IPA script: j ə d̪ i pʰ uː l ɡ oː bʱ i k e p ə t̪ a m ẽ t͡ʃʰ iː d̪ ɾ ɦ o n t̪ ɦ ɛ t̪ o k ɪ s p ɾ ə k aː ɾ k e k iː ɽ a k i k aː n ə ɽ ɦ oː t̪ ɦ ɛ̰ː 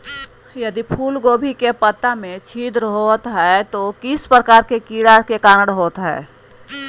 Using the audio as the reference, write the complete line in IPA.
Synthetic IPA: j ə d̪ i pʰ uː l ɡ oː bʱ i k e p ə t̪ a m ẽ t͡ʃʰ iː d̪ ɾ ɦ o t̪ ɦ ɛ t̪ o k ɪ s p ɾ ə k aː ɾ k e k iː ɽ a k e k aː n ə ɽ ɦ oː t̪ ɦ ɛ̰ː